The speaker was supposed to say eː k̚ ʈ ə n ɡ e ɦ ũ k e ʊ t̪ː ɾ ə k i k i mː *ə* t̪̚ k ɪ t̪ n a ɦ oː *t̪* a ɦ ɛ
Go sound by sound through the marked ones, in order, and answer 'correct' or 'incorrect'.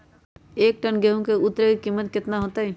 correct, correct

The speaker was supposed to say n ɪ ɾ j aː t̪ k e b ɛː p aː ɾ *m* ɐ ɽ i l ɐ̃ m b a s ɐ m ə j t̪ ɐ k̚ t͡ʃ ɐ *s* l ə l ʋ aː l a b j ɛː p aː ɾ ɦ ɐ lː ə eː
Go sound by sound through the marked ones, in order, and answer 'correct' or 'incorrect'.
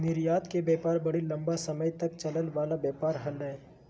incorrect, incorrect

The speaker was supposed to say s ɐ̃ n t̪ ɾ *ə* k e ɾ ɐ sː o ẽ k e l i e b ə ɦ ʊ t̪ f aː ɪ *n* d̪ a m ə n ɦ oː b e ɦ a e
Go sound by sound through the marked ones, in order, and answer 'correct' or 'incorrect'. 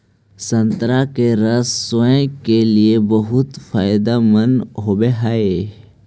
incorrect, incorrect

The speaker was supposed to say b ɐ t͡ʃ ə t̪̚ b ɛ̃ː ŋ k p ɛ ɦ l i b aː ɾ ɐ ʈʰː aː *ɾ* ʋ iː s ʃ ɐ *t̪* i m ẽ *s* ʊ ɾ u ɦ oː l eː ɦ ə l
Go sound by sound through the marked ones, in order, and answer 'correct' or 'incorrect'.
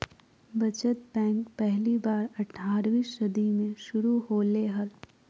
correct, incorrect, incorrect

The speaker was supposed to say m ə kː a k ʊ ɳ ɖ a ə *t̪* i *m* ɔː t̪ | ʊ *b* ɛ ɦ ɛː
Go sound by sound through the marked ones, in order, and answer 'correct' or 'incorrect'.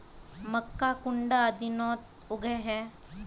incorrect, incorrect, incorrect

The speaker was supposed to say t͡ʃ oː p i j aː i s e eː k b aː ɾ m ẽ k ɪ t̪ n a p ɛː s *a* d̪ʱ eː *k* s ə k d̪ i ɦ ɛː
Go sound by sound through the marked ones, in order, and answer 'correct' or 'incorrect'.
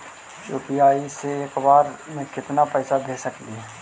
correct, incorrect

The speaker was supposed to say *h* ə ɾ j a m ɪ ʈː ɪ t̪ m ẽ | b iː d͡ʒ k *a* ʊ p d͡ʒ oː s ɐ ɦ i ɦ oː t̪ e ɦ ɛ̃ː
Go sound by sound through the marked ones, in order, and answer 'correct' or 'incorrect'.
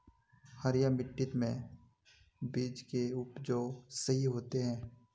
correct, incorrect

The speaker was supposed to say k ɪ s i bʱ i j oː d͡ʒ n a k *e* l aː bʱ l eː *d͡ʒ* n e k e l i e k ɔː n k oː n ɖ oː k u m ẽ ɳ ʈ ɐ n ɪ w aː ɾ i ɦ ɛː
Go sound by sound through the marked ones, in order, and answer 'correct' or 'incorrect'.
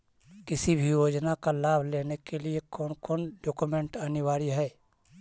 incorrect, incorrect

